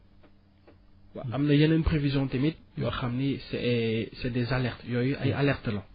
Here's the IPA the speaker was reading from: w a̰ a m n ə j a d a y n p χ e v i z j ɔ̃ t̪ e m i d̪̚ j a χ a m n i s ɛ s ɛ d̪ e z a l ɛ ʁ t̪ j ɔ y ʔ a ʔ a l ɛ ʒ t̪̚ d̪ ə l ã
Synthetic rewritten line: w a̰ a m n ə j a n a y n p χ e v i z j ɔ̃ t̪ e m i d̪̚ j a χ a m n i s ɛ s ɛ d̪ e z a l ɛ ʁ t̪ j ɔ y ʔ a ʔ a l ɛ ʁ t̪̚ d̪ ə l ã

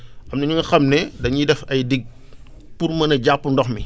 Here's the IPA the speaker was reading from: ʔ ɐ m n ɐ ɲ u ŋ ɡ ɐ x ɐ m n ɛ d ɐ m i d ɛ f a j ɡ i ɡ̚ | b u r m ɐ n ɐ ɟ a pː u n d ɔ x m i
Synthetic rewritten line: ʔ ɐ m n ɐ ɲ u ŋ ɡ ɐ x ɐ m n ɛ d ɐ ɲ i d ɛ f ɐ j d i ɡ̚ | p u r m ɐ n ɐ ɟ a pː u n d ɔ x m i

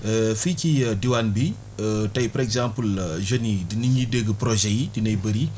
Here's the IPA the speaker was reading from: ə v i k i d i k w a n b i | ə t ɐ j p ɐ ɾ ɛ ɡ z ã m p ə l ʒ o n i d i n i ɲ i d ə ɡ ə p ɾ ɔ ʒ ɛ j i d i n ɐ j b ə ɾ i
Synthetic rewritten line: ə f i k i d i w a n b i | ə t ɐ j p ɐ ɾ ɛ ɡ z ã m p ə l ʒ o n i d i n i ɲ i d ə ɡ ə p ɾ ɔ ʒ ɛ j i d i n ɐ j b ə ɾ i

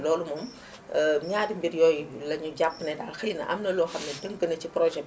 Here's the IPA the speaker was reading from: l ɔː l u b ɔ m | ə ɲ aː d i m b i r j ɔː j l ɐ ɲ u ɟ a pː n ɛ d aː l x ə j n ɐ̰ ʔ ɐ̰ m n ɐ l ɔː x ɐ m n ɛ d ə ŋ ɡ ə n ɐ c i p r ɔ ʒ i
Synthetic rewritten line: l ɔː l u m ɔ m | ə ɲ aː d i m b i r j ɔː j l ɐ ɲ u ɟ a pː n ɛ d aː l x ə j n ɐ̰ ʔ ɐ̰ m n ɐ l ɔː x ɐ m n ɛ d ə ŋ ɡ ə n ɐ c i p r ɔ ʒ ɛ

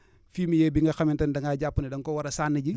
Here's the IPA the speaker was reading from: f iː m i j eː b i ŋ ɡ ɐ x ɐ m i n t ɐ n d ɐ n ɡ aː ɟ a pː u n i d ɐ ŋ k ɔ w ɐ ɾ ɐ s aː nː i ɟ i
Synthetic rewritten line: f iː m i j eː b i ŋ ɡ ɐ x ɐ m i n t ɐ n d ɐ ŋ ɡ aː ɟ a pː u n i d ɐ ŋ k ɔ w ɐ ɾ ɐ s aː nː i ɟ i

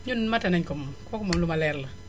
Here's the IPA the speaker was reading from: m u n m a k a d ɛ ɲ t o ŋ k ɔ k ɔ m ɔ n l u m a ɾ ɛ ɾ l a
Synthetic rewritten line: ɲ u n m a t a n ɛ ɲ k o m k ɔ k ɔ m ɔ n l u m a l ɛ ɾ l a

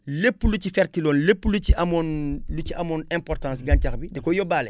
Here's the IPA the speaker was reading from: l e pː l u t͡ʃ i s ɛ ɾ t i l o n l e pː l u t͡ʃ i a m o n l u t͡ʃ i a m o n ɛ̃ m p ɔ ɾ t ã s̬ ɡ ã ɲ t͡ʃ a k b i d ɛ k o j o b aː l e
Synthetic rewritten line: l e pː l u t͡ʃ i f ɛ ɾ t i l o n l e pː l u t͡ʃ i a m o n l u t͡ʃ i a m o n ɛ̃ m p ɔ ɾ t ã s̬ ɡ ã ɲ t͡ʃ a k b i d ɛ k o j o b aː l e

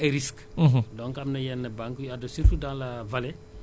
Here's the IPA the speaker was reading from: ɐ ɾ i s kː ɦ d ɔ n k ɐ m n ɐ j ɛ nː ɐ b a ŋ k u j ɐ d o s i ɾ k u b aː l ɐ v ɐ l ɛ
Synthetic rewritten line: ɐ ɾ i s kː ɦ d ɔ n k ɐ m n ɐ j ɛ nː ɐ b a ŋ k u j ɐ d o s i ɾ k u d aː l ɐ v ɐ l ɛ

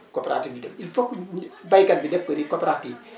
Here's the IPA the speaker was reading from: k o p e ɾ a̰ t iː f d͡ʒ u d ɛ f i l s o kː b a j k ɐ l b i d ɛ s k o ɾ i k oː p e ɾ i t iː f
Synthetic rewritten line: k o p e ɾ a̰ t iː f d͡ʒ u d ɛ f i l f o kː b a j k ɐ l b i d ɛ f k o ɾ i k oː p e ɾ a t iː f

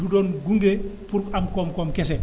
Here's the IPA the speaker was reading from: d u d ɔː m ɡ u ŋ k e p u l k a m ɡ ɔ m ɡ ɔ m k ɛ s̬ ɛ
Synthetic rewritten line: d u d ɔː n ɡ u ŋ ɡ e p u ɾ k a m k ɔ m k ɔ m k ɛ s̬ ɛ

